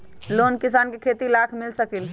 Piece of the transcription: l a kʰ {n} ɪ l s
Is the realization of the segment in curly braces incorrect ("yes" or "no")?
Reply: yes